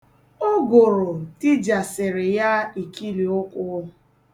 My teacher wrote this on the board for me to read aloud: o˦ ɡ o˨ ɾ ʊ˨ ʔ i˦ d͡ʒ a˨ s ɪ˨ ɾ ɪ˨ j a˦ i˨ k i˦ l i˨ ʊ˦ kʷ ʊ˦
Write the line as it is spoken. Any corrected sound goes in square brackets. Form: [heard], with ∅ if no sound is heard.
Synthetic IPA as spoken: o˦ ɡ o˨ ɾ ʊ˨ [t] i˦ d͡ʒ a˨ s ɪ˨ ɾ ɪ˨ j a˦ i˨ k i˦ l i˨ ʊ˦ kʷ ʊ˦